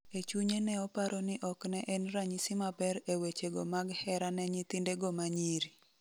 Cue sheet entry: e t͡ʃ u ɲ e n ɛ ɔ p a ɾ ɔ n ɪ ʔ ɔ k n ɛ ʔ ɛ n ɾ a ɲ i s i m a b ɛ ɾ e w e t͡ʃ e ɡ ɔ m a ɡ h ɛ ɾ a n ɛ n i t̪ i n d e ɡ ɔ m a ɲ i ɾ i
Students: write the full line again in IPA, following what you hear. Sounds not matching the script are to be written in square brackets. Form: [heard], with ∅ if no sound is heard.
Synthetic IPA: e t͡ʃ u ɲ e n ɛ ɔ p a ɾ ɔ n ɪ ʔ ɔ k n ɛ ʔ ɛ n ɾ a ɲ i s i m a b ɛ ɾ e w e t͡ʃ e ɡ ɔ m a ɡ h ɛ ɾ a n ɛ [ɲ] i t̪ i n d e ɡ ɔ m a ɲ i ɾ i